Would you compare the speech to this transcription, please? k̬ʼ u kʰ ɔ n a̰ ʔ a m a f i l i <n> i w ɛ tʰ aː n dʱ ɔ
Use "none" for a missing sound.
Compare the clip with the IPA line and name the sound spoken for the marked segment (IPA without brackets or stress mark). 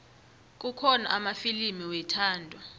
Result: m